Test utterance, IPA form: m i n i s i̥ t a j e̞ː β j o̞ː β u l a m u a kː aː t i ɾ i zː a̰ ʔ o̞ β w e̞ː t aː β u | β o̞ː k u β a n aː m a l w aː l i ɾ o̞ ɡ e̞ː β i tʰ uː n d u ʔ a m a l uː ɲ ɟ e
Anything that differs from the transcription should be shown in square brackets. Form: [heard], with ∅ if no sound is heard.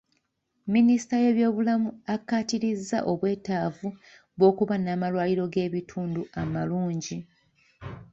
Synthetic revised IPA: m i n i s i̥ t a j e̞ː β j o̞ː β u l a m u a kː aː t i ɾ i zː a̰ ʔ o̞ β w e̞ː t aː [v] u | β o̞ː k u β a n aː m a l w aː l i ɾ o̞ ɡ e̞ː β i tʰ uː n d u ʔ a m a l uː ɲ ɟ [i]